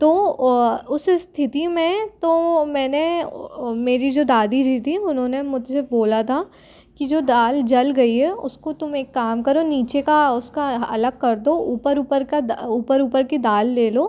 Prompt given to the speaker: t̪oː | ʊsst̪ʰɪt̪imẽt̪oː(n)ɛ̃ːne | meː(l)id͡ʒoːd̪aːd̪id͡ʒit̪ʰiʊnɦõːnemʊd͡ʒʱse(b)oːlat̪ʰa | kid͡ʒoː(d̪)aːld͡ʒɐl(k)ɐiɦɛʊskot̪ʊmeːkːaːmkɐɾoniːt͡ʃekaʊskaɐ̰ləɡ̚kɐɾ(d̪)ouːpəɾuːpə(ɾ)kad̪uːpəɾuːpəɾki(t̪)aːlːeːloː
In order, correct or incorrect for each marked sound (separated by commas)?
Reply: incorrect, incorrect, correct, correct, incorrect, correct, correct, incorrect